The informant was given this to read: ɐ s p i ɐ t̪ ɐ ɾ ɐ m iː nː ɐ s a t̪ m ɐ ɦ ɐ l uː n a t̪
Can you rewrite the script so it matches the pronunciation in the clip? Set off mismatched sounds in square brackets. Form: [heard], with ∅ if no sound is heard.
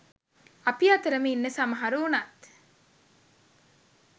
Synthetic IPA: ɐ [∅] p i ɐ t̪ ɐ ɾ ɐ m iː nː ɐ s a [∅] m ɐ ɦ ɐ [ɾ] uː n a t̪